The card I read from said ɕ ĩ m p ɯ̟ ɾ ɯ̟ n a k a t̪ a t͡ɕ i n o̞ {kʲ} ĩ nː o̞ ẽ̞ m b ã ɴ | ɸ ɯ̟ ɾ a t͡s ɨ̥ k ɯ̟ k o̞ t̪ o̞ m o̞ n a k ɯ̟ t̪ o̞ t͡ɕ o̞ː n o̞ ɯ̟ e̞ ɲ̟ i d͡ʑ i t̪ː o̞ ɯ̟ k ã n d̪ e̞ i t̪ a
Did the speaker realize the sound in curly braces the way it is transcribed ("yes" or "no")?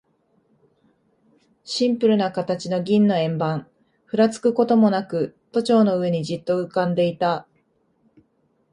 no